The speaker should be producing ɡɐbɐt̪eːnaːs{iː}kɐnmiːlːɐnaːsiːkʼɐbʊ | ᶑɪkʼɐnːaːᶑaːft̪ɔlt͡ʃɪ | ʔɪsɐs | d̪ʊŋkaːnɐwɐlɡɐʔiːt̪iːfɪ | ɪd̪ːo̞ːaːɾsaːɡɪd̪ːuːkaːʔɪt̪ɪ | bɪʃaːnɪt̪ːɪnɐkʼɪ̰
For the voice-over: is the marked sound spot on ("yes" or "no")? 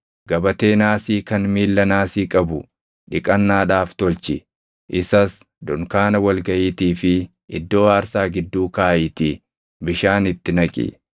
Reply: yes